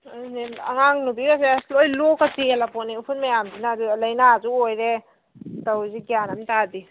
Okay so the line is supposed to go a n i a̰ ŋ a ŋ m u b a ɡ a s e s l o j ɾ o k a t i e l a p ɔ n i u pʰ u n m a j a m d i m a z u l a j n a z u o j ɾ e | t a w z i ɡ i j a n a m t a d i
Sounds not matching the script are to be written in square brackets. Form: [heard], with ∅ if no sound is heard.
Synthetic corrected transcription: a n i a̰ ŋ a ŋ [n] u b [i] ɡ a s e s l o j [l] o k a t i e l a p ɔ n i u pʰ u n m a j a m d i [n] a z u l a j n a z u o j ɾ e | t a w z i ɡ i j a n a m t a d i